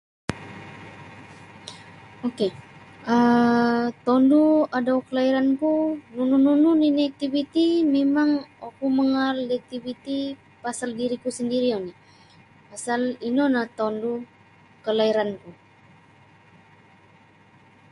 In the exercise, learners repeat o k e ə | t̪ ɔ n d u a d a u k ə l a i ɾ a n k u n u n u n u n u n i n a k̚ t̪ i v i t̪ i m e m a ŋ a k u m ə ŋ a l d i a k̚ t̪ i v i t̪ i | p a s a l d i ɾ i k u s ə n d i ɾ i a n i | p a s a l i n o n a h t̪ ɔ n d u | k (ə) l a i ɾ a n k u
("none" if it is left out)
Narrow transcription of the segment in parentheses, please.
ə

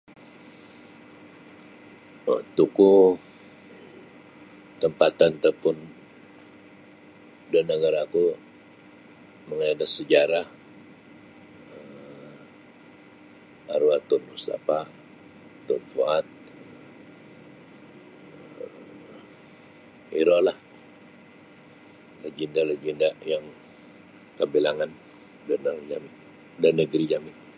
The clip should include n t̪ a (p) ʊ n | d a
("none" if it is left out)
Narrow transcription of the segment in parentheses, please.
p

